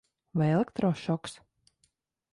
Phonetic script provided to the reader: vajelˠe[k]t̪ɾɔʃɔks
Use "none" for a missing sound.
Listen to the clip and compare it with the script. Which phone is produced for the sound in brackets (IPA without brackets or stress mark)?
k